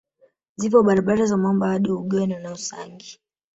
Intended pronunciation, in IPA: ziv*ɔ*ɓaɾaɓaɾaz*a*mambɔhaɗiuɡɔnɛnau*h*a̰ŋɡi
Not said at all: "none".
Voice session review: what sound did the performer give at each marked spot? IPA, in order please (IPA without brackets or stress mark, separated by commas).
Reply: ɔ, a, s